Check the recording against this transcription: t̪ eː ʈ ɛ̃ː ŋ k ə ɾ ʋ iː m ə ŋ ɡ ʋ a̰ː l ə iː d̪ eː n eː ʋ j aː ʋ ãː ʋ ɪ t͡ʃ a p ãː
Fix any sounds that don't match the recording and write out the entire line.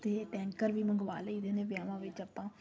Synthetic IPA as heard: t̪ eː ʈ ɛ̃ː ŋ k ə ɾ ʋ iː m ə ŋ ɡ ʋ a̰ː l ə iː d̪ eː n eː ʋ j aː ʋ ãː ʋ ɪ t͡ʃ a p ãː